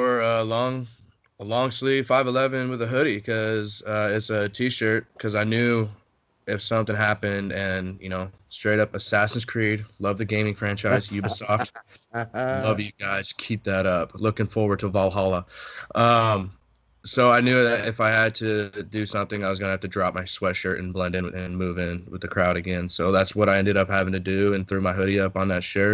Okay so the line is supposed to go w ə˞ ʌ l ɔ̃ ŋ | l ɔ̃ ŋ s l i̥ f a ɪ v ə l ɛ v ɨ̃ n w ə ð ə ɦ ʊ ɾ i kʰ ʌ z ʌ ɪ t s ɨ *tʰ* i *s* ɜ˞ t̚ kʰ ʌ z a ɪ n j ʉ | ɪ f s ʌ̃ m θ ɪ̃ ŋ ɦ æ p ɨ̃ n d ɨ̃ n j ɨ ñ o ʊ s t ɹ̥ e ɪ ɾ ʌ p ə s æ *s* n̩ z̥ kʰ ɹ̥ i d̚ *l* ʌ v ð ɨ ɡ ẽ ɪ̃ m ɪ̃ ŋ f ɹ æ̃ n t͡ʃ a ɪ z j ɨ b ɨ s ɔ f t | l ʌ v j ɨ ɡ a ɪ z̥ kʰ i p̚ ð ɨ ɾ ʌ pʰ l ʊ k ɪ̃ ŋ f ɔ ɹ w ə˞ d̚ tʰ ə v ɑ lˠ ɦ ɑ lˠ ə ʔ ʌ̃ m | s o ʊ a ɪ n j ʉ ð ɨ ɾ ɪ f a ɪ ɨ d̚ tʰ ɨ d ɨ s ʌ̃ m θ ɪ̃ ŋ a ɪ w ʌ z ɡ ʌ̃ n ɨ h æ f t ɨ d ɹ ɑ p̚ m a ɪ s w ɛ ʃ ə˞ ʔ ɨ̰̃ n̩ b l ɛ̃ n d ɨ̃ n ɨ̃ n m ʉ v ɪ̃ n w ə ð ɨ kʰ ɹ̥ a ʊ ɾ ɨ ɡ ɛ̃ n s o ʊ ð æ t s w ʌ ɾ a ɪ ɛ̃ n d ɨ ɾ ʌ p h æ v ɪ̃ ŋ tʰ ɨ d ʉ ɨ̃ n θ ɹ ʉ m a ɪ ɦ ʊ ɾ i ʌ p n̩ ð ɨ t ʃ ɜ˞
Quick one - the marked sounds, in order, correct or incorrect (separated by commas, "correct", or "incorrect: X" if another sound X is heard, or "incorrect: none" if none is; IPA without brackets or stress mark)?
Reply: correct, incorrect: ʃ, correct, correct